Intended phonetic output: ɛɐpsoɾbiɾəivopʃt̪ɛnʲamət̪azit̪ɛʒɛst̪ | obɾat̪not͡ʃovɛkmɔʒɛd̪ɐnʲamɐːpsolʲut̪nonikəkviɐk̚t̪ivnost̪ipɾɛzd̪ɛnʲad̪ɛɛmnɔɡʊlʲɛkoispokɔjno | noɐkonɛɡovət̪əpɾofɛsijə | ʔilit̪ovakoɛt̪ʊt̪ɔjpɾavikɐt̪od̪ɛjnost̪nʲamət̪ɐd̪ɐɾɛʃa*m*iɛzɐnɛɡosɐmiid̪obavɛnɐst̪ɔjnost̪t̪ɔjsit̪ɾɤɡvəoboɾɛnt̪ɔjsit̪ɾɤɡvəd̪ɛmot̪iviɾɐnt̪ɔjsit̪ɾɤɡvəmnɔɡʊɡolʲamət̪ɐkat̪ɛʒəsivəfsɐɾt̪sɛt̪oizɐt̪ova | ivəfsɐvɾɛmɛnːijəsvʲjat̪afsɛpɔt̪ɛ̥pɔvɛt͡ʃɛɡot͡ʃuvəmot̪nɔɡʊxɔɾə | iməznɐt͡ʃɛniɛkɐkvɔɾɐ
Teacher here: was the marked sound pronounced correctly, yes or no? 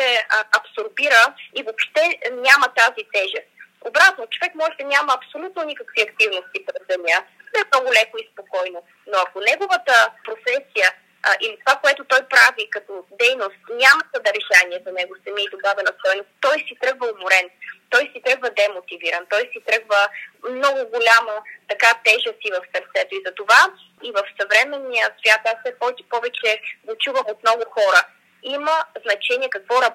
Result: no